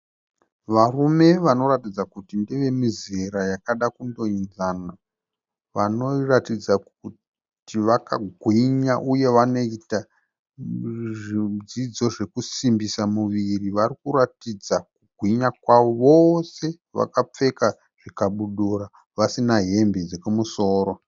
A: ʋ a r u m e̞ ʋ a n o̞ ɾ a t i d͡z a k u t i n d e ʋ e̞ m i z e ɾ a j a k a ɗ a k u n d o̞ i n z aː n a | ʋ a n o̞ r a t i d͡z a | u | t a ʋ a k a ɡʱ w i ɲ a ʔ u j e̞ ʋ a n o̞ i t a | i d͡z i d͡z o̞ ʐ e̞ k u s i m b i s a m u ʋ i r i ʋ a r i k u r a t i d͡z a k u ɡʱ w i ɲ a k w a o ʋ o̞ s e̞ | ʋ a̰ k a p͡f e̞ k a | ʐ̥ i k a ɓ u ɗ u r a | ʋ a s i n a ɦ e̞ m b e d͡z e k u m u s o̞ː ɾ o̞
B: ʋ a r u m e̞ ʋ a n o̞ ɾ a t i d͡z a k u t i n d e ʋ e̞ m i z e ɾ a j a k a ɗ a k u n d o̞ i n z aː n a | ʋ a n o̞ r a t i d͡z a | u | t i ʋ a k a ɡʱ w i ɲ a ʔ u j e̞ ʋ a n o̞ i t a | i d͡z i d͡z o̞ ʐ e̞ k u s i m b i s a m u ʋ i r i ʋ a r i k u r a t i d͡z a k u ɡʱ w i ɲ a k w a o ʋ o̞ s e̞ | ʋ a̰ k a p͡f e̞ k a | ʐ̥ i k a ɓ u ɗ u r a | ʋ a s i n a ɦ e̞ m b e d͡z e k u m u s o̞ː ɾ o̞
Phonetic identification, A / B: B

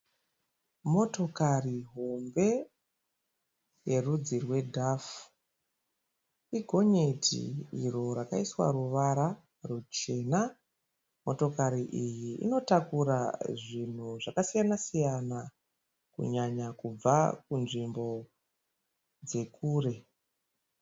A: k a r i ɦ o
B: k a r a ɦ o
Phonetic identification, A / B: A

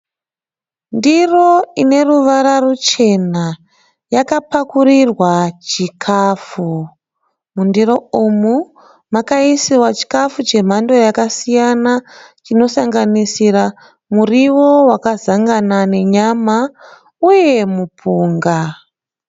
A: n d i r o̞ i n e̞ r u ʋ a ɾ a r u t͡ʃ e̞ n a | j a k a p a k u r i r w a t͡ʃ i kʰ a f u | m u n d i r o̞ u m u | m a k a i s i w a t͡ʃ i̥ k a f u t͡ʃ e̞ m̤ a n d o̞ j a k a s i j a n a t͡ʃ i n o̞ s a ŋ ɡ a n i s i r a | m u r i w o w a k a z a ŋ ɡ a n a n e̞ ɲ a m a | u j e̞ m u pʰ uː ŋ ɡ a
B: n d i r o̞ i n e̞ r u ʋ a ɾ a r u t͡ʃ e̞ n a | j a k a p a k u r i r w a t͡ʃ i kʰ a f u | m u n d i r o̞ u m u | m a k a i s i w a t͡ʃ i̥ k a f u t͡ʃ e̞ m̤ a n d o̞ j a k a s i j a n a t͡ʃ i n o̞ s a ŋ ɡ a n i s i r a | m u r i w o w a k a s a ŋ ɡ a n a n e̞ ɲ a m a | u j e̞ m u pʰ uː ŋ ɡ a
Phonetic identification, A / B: A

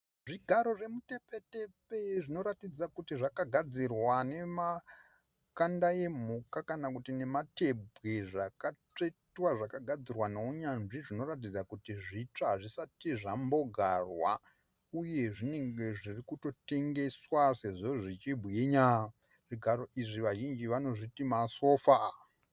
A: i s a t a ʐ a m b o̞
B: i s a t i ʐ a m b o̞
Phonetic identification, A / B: B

